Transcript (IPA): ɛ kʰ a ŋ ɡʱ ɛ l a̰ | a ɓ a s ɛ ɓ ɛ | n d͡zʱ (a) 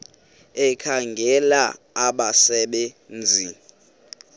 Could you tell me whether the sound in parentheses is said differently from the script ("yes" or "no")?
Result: yes